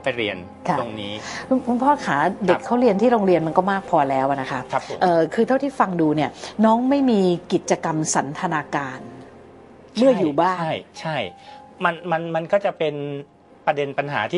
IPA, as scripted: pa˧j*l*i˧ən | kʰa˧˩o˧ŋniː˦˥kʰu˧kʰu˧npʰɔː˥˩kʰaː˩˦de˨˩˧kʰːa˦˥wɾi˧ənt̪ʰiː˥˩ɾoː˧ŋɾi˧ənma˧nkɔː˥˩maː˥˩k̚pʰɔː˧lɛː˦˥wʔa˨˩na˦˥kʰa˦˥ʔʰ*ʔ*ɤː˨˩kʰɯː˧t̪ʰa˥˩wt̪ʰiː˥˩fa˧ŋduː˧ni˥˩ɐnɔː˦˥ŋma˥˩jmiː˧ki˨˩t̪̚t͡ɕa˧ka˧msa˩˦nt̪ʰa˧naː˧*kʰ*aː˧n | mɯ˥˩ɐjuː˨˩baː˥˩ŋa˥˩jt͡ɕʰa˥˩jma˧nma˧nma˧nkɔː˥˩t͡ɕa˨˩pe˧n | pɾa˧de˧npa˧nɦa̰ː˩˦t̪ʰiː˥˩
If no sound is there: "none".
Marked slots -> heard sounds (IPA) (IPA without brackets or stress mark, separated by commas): ɾ, ʔ, k